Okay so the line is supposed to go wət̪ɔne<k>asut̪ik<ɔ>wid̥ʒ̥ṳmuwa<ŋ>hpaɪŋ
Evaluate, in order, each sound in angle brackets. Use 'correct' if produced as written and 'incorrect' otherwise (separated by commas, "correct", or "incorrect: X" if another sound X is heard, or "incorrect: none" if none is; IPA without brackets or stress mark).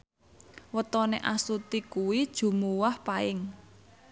incorrect: ʔ, incorrect: u, incorrect: none